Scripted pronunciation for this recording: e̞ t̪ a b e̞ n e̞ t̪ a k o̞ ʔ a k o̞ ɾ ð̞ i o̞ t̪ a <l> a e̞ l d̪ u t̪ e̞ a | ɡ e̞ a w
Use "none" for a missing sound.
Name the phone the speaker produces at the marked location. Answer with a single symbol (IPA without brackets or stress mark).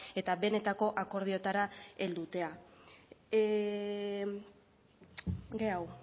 ɾ